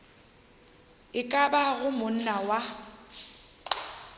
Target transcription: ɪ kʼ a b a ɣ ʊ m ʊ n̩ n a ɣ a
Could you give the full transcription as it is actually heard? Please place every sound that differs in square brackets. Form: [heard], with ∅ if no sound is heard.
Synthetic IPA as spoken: ɪ kʼ a b a ɣ ʊ m ʊ n̩ n a [w] a

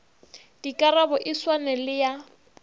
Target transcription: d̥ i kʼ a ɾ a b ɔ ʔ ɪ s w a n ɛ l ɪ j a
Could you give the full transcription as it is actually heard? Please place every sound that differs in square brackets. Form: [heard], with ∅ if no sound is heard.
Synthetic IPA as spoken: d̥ i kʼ a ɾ a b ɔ ʔ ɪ s w a n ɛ l ɪ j a

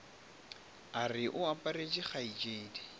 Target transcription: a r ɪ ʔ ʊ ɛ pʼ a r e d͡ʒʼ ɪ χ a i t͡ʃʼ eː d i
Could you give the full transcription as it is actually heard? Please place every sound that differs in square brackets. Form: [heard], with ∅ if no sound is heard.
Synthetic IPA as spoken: a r ɪ ʔ ʊ [a] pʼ a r e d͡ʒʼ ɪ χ a i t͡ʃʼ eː d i

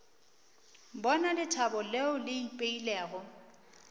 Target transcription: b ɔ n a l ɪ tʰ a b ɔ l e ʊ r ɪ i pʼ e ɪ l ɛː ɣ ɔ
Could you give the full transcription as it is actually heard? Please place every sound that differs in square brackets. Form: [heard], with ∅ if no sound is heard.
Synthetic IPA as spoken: b ɔ n a l ɪ tʰ a b ɔ l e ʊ [l] ɪ i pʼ e [i] l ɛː ɣ ɔ

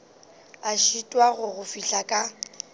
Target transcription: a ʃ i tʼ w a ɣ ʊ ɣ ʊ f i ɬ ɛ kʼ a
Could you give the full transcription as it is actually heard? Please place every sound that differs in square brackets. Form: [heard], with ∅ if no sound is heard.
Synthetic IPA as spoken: a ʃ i tʼ w a ɣ ʊ ɣ ʊ f i ɬ [a] kʼ a

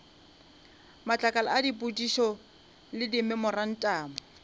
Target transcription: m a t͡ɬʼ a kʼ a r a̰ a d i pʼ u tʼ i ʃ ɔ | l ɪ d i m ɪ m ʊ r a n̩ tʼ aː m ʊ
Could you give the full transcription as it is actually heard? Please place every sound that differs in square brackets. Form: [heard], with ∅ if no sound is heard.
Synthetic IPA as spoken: m a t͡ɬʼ a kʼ a [l] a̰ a d i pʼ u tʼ i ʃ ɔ | l ɪ d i m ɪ m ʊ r a n̩ tʼ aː m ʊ

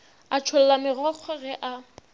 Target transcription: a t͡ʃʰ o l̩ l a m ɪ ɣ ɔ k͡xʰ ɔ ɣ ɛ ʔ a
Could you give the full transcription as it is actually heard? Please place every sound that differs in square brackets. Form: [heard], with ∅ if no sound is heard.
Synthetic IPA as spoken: a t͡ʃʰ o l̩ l a m ɪ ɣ ɔ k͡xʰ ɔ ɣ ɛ ʔ a

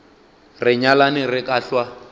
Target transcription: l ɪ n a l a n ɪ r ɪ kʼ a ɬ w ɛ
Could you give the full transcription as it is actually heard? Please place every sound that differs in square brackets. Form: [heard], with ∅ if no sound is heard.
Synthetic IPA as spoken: [r] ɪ [ɲ] a l a n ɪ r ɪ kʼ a ɬ w [a]

